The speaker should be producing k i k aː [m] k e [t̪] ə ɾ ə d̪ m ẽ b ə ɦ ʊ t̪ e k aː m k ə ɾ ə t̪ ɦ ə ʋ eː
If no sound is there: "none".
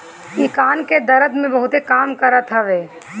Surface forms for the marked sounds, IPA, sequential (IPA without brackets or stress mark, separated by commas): n, d̪